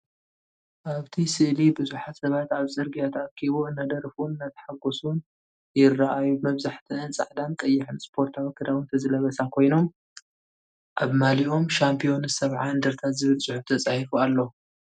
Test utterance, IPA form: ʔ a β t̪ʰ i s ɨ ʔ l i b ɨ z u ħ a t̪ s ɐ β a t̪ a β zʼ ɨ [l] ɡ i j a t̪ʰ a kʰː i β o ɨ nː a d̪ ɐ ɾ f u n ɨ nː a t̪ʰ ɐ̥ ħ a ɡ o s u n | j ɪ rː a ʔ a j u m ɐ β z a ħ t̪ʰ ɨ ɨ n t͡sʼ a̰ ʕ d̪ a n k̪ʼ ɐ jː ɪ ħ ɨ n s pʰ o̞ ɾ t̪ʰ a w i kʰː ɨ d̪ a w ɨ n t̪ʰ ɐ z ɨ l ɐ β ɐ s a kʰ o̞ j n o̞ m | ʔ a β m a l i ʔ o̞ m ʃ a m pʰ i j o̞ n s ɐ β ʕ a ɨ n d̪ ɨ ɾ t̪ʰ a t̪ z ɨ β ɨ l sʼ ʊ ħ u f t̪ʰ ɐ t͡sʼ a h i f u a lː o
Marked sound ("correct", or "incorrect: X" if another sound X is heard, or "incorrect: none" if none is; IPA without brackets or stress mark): incorrect: ɾ